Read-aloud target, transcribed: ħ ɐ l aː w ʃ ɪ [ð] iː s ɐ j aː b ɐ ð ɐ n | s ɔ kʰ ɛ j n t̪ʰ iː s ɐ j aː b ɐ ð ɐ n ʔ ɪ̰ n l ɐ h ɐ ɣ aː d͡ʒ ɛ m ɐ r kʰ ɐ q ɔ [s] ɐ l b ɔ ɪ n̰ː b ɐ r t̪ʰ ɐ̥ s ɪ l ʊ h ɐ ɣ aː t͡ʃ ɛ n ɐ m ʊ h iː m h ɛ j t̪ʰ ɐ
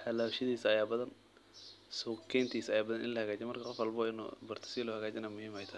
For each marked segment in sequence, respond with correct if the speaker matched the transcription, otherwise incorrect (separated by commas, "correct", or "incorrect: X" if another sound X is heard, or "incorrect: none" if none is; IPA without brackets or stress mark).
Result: correct, incorrect: f